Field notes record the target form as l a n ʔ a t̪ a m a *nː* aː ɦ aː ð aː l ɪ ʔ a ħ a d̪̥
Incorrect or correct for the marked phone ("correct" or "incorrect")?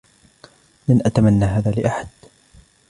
correct